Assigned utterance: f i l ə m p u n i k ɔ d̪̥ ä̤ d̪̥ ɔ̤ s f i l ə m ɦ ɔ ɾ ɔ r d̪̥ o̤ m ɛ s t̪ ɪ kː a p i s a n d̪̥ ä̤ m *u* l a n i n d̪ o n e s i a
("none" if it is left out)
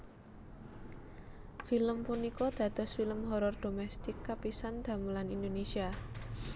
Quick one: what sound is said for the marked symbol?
u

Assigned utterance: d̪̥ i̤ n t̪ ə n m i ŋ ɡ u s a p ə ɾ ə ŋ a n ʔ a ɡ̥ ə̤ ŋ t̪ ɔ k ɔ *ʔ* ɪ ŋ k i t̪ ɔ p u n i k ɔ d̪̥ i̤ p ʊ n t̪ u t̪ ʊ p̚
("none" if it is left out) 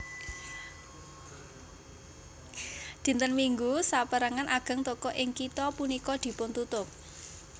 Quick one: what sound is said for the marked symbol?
ʔ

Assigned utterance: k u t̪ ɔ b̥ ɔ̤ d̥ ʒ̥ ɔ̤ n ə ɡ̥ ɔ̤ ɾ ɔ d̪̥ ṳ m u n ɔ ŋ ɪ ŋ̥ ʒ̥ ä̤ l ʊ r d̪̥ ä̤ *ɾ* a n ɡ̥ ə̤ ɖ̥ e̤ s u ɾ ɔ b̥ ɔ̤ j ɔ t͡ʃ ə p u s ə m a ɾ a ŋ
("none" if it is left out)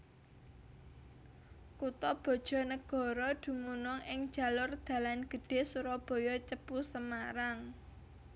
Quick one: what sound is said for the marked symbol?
l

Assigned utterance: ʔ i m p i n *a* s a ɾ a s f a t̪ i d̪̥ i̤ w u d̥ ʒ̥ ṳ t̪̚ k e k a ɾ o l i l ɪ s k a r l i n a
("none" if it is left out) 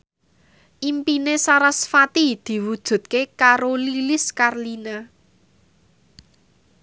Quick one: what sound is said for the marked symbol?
e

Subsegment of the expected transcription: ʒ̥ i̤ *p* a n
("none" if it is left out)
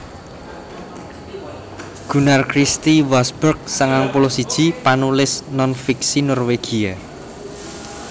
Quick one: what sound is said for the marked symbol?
p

